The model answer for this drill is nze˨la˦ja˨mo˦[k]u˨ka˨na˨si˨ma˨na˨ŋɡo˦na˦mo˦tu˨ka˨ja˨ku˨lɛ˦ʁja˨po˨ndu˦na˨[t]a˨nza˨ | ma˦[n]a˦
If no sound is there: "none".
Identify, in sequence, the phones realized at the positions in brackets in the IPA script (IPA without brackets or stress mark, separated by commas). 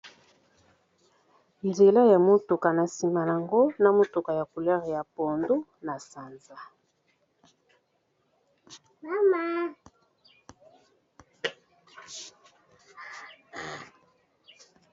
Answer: t, s, m